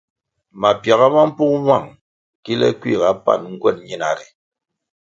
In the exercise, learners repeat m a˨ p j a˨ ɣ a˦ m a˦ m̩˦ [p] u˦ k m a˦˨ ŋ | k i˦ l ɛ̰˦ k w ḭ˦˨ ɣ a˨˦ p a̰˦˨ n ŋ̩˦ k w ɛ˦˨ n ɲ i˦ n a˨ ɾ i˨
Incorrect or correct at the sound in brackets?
correct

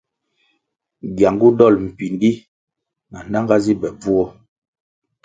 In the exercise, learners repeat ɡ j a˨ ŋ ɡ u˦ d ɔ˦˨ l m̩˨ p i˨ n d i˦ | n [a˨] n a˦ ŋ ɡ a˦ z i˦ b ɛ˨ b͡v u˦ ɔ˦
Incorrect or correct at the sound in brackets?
correct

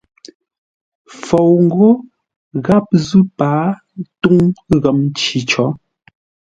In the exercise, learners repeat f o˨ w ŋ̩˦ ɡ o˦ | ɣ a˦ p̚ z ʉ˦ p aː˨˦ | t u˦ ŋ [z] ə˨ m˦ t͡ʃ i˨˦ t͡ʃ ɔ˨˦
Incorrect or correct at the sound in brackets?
incorrect: ɣ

